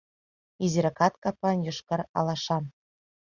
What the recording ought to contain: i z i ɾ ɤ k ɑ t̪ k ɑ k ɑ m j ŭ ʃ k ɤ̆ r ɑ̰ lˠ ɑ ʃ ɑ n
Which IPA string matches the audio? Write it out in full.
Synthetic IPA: i z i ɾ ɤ k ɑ t̪ k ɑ p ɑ n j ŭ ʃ k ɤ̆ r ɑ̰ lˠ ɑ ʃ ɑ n

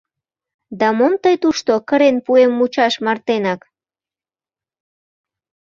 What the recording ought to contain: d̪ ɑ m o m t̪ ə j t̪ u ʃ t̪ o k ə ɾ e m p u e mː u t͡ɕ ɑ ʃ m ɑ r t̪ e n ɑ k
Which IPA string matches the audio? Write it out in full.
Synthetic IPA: d̪ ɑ m o m t̪ ə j t̪ u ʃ t̪ o k ə ɾ e n p u e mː u t͡ɕ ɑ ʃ m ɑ r t̪ e n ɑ k

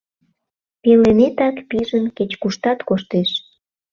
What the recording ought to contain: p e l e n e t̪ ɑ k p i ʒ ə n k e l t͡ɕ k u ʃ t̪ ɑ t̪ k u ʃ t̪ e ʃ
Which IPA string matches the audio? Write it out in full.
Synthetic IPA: p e l e n e t̪ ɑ k p i ʒ ə n k e t͡ɕ k u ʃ t̪ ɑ t̪ k o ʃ t̪ e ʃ

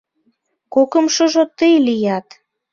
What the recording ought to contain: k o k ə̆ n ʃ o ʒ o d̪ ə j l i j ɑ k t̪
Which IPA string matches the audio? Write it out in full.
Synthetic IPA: k o k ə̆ m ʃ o ʒ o t̪ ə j l i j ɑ t̪

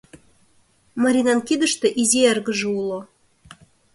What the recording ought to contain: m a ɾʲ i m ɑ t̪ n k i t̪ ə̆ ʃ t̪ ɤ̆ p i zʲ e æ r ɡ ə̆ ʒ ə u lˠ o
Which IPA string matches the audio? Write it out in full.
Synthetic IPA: m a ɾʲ i n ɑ n k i d̪ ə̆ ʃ t̪ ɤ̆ ʔ i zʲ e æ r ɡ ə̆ ʒ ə u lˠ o

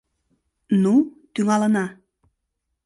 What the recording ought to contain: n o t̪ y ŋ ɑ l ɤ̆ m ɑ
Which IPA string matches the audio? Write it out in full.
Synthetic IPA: n u t̪ y ŋ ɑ l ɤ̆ n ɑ

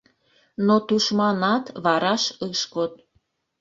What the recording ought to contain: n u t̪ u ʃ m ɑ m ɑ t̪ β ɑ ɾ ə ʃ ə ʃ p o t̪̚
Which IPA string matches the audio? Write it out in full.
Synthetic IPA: n o t̪ u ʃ m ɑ n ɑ t̪ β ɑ ɾ ɑ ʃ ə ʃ k o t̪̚

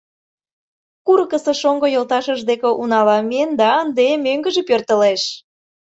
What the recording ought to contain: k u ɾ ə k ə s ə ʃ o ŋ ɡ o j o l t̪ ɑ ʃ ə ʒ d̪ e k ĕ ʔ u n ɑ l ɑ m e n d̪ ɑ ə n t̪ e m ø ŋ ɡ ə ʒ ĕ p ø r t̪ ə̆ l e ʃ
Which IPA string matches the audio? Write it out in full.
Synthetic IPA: k u ɾ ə k ə s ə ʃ o ŋ ɡ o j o l t̪ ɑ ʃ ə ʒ d̪ e k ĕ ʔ u n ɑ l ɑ m e n d̪ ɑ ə n d̪ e m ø ŋ ɡ ə ʒ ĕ p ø r t̪ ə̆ l e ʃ

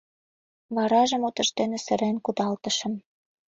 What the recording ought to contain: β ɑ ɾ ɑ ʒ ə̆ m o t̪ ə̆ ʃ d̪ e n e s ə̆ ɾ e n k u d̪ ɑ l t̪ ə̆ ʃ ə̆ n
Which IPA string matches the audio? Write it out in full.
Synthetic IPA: β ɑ ɾ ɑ ʒ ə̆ m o t̪ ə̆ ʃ t̪ e n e s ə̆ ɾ e n k u d̪ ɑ l t̪ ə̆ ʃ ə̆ m

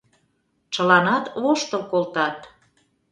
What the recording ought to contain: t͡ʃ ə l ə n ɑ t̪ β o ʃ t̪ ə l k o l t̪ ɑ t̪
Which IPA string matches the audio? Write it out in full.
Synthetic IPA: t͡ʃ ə l ɑ n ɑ t̪ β o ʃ t̪ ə l k o l t̪ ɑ t̪

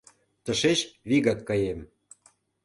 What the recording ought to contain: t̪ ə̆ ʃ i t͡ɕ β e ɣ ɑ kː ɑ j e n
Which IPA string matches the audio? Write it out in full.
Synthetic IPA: t̪ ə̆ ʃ e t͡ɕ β i ɣ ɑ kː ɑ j e m

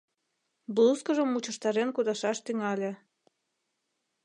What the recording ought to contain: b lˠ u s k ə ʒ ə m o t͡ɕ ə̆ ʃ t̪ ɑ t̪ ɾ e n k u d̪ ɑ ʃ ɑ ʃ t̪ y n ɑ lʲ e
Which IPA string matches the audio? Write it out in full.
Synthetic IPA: b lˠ u s k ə ʒ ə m u t͡ɕ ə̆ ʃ t̪ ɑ ɾ e n k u d̪ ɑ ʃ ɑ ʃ t̪ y ŋ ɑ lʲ e

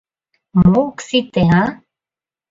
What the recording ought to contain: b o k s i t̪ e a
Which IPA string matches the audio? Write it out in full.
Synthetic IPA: m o k s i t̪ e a

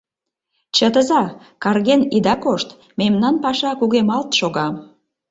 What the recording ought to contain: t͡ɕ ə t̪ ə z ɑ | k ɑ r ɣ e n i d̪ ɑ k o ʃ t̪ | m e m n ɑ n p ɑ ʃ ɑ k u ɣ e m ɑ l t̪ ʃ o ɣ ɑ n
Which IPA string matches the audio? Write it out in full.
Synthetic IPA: t͡ɕ ə t̪ ə z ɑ | k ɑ r ɣ e n i d̪ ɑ k o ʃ t̪ | m e m n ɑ n p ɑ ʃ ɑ k u ɣ e m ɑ l t̪ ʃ o ɣ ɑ m

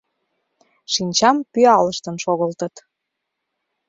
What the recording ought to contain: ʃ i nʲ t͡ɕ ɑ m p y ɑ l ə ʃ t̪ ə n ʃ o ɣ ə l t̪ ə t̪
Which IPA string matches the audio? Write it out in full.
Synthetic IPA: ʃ i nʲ t͡ɕ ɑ m p y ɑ l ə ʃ t̪ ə n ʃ o ɣ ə l t̪ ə t̪

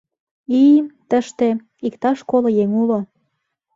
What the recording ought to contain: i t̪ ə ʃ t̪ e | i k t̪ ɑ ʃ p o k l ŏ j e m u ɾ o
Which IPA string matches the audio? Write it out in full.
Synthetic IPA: i t̪ ə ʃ t̪ e | i k t̪ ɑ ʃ k o l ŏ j e ŋ u l o

